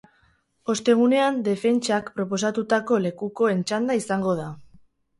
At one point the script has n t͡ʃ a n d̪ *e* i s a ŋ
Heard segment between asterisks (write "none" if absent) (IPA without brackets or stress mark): a